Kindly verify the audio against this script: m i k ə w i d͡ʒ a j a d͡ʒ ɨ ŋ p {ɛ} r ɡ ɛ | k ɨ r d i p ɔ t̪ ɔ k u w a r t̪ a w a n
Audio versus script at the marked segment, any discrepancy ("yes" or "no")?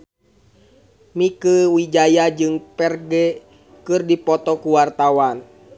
no